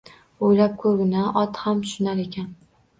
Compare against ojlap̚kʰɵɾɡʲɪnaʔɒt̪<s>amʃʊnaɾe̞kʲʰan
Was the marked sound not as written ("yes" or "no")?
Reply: yes